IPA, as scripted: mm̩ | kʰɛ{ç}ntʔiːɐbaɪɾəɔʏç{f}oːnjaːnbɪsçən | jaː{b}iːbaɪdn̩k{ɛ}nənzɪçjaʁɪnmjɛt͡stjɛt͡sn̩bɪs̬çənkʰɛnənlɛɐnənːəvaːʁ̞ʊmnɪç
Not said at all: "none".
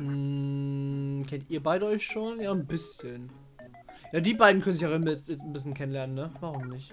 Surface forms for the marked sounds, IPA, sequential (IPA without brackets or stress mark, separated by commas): none, ʃ, d, œ